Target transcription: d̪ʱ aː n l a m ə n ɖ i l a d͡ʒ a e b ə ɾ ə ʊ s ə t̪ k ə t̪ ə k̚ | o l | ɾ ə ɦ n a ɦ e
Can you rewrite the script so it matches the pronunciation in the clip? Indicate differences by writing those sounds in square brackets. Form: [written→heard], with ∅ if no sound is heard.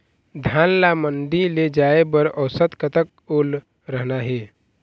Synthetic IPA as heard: d̪ʱ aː n l a m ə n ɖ i l [a→e] d͡ʒ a e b ə ɾ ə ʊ s ə t̪ k ə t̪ ə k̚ | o l | ɾ ə ɦ n a ɦ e